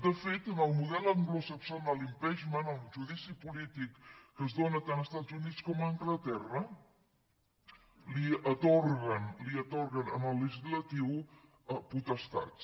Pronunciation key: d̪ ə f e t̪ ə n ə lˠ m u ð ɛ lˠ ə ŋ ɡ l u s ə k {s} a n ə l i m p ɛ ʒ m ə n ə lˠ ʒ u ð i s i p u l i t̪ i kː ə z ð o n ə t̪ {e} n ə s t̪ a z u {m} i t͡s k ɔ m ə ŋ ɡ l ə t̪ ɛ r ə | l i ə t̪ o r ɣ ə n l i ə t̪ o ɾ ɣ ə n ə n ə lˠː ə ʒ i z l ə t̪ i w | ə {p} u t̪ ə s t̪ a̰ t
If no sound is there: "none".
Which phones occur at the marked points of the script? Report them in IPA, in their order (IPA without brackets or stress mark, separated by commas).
s, a, n, p